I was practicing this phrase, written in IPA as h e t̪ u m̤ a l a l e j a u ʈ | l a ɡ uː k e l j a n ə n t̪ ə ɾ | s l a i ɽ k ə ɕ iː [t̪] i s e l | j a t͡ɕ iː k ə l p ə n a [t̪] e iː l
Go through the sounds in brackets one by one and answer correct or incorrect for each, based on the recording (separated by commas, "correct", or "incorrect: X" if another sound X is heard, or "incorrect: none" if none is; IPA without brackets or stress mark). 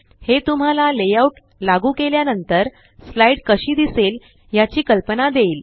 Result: incorrect: d̪, incorrect: d̪